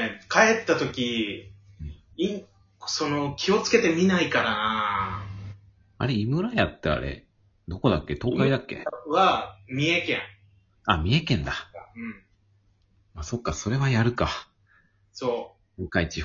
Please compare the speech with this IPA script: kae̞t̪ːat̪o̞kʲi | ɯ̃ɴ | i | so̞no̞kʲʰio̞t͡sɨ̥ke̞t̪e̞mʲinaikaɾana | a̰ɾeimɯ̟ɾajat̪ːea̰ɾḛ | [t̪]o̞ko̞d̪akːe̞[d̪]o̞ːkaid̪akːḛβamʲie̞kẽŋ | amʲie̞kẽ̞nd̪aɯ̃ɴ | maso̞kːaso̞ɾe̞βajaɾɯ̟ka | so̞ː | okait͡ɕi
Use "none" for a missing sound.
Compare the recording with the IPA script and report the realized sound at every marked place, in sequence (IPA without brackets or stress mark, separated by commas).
d̪, t̪